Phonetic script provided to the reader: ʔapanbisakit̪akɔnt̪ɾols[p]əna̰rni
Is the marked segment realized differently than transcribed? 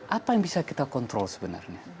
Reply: yes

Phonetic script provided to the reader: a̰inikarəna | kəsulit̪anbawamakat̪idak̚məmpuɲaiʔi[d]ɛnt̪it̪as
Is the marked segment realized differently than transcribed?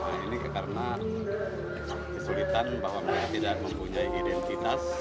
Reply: no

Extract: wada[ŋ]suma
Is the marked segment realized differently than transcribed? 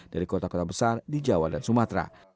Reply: yes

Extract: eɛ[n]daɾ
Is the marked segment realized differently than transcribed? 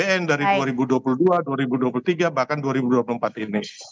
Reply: no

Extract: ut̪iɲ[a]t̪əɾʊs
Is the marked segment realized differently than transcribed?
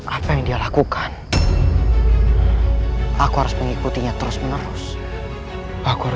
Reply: no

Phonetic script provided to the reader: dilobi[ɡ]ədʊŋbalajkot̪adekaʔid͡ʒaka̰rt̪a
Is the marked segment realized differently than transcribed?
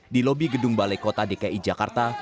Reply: no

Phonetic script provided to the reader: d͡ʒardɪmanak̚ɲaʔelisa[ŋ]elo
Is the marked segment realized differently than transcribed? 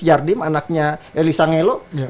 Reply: no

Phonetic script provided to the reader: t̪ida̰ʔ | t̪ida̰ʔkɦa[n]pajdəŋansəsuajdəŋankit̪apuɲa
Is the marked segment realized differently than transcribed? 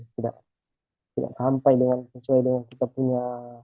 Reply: yes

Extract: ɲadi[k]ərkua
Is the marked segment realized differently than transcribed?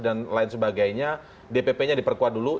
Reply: yes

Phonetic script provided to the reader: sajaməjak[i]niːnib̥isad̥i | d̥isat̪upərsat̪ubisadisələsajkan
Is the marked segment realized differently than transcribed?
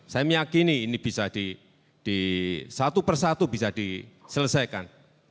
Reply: no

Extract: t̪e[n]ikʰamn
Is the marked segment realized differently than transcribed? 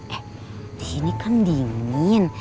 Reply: no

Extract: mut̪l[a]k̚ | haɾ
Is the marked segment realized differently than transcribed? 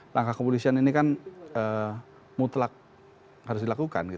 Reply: no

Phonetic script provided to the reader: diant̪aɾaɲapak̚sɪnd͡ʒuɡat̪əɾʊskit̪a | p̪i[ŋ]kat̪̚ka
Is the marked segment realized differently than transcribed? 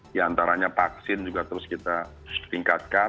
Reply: no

